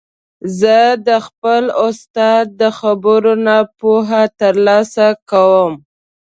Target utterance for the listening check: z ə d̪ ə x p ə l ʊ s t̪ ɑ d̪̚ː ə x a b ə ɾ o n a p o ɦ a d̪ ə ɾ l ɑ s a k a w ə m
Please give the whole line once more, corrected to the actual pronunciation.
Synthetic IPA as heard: z ə d̪ ə x p ə l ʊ s t̪ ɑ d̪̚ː ə x a b ə ɾ o n a p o ɦ a t̪ ə ɾ l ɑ s a k a w ə m